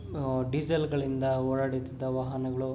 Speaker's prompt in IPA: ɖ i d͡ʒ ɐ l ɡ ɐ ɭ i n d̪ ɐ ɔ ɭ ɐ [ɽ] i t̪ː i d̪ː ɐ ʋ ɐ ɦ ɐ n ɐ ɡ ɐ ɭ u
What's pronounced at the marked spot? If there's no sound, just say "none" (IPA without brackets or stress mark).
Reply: ɽ